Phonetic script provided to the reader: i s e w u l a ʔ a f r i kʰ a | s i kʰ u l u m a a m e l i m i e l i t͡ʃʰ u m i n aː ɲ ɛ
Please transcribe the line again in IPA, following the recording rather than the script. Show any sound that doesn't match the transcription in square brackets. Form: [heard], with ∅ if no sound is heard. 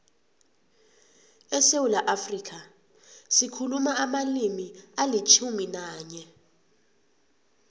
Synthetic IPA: [ɛ] s e w u l a ʔ a f r i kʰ a | s i kʰ u l u m a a m [a] l i m i [a] l i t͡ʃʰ u m i n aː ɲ ɛ